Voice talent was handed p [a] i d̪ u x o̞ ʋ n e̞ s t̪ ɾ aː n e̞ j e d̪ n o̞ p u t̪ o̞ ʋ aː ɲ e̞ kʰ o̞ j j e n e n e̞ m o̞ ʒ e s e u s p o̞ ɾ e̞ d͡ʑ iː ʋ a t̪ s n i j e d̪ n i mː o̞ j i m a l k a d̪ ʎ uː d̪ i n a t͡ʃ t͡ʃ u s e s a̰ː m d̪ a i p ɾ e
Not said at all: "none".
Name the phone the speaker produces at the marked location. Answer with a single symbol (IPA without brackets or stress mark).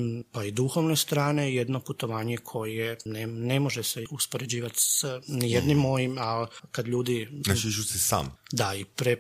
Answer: a